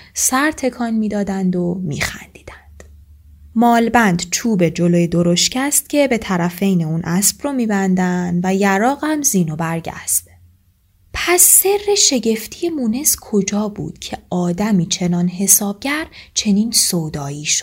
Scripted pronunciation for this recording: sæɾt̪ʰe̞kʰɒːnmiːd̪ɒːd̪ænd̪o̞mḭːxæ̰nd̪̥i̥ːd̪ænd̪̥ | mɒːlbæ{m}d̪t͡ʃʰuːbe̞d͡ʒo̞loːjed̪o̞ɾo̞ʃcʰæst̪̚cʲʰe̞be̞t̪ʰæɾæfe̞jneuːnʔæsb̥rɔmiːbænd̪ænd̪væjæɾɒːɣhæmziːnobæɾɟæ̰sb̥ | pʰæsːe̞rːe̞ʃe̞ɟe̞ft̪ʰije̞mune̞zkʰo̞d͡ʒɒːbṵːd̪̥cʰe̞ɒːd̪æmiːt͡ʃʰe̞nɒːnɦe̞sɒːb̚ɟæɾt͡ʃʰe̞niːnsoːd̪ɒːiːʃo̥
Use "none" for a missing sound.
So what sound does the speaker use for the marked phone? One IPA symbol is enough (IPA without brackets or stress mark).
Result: n